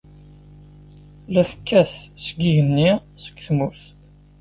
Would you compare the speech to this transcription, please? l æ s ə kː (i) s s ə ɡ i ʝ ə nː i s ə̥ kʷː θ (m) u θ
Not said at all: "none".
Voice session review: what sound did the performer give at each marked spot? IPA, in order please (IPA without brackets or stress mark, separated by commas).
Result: æ, m